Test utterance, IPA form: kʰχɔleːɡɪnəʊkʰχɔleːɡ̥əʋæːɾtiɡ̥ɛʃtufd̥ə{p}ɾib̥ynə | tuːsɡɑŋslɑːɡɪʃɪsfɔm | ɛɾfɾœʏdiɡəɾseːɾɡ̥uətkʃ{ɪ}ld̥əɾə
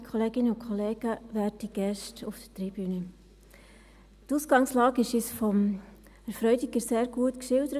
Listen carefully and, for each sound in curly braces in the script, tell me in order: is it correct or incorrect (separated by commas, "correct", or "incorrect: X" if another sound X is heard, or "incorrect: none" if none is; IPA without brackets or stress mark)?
incorrect: t, correct